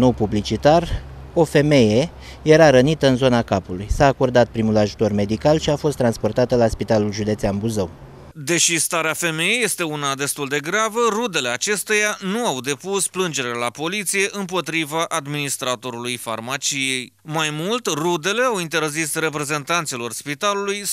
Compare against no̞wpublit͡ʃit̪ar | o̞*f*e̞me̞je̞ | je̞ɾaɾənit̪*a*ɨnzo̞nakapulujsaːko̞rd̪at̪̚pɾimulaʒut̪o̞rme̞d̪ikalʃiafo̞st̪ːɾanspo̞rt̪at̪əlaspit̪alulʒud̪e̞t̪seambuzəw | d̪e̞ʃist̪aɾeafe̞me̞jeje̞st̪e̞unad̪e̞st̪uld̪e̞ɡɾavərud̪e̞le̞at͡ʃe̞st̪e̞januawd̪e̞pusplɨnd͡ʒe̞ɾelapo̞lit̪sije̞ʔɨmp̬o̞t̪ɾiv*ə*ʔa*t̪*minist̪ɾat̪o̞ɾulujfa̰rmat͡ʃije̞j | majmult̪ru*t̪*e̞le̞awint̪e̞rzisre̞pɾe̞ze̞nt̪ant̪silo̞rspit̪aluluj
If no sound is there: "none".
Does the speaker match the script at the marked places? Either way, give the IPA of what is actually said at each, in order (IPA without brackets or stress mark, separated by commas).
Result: f, ə, a, d̪, d̪